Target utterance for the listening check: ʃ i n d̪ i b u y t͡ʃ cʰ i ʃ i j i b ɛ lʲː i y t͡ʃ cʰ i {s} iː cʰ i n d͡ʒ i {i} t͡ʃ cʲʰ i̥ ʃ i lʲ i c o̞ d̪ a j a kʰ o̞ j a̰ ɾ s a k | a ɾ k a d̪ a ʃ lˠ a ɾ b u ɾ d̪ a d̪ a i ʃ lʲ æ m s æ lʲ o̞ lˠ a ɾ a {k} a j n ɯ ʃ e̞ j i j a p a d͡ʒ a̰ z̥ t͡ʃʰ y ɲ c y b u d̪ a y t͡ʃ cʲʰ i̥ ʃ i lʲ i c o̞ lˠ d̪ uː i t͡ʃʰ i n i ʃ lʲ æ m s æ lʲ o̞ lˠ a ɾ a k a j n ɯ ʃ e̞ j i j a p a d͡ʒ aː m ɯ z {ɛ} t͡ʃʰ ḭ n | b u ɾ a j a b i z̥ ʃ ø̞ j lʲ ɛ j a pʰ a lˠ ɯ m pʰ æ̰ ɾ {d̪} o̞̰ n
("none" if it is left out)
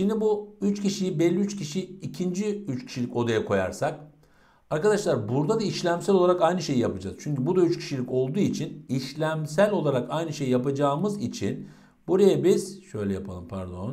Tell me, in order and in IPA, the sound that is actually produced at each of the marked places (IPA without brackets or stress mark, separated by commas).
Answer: ʃ, y, k, i, d̪